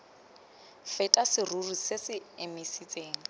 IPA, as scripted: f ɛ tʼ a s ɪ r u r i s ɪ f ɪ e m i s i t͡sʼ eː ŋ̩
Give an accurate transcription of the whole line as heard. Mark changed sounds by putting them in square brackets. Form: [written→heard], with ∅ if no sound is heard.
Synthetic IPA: f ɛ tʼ a s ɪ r u r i s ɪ [f→s] ɪ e m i s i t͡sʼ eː ŋ̩